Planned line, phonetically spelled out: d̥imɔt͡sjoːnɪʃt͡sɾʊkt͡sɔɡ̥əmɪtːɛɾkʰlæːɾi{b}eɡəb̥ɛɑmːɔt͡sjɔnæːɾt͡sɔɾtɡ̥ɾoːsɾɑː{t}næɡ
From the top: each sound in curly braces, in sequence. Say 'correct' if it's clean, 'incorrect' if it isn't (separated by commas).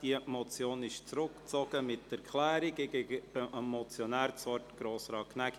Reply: incorrect, incorrect